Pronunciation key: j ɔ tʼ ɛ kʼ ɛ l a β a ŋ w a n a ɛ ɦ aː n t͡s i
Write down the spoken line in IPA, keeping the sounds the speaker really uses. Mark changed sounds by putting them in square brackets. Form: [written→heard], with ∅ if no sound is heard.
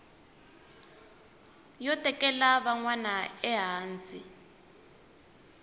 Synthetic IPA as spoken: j ɔ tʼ ɛ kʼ ɛ l a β a ŋ w a n a ɛ ɦ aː n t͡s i